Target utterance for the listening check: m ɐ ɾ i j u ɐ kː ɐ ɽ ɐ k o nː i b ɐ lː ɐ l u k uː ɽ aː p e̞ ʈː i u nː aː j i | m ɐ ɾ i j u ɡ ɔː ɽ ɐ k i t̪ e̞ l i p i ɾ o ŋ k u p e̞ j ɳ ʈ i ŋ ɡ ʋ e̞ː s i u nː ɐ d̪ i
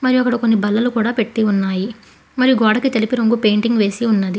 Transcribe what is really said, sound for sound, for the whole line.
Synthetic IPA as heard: m ɐ ɾ i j u ɐ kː ɐ ɽ ɐ k o nː i b ɐ lː ɐ l u k uː ɽ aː p e̞ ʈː i u nː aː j i | m ɐ ɾ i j u ɡ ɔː ɽ ɐ k i t̪ e̞ l i p i ɾ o ŋ ɡ u p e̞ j ɳ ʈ i ŋ ɡ ʋ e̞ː s i u nː ɐ d̪ i